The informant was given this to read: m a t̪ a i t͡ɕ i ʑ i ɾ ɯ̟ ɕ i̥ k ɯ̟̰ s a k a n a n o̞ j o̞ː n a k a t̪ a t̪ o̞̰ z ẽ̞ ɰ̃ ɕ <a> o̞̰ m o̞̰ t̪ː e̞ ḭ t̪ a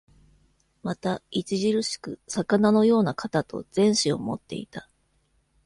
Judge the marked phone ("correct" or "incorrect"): incorrect